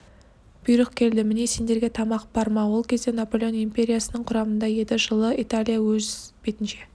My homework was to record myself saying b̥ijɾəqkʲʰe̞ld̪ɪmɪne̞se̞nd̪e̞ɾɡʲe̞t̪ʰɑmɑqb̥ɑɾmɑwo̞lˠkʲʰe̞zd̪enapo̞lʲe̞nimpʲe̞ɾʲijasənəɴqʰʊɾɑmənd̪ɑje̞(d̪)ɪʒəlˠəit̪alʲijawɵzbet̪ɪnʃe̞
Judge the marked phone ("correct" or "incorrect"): correct